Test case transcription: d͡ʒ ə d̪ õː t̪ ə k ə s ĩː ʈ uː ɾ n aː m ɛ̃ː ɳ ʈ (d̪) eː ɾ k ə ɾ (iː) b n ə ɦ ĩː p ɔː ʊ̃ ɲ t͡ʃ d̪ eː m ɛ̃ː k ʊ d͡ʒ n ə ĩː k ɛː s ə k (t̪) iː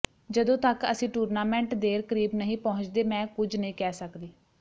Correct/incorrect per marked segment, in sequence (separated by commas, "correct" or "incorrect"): correct, correct, incorrect